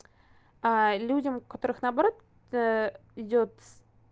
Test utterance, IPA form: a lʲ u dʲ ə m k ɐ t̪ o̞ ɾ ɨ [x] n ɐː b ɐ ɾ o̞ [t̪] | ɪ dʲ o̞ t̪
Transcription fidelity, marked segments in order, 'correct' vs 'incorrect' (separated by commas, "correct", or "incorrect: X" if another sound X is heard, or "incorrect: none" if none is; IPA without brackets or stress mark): correct, correct